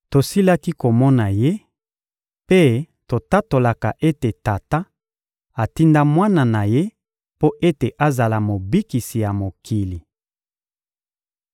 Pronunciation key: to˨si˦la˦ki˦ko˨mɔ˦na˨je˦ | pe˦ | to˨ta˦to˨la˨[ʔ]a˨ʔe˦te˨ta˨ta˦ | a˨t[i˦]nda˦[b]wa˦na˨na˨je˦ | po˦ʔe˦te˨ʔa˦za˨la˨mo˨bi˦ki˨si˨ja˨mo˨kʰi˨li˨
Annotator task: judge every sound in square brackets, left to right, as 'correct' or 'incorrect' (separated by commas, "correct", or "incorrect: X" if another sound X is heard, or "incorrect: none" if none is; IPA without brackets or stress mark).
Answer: incorrect: k, correct, incorrect: m